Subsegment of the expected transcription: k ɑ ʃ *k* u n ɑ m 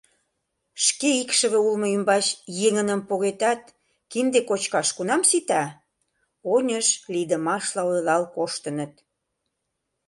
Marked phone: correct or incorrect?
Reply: correct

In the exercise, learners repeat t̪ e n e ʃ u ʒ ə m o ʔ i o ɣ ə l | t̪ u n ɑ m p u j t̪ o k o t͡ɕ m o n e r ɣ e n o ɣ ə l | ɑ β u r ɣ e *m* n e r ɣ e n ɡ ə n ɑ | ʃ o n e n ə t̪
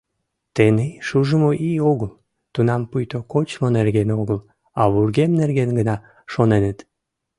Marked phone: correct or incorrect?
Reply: correct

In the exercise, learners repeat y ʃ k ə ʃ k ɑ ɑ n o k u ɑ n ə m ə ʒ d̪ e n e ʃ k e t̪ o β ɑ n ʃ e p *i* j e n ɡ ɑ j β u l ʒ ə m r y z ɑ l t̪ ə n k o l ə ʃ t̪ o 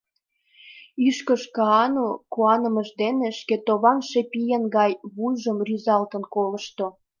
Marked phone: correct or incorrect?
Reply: correct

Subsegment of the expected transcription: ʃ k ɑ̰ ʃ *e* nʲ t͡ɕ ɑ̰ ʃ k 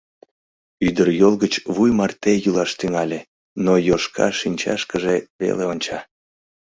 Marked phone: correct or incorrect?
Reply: incorrect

